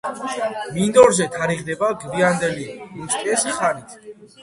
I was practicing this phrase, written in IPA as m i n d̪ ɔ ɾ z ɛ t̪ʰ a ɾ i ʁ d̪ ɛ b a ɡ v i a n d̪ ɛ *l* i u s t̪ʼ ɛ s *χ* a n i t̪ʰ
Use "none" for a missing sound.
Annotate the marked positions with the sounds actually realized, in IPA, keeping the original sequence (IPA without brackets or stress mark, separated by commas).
l, χ